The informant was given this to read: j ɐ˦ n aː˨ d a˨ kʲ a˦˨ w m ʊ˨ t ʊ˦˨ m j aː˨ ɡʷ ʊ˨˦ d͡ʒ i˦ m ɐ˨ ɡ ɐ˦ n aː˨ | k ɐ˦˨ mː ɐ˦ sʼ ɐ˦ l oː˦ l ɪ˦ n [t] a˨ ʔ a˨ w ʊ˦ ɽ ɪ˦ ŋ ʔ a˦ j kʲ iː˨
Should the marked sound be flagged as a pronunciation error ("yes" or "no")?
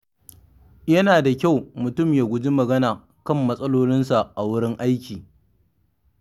yes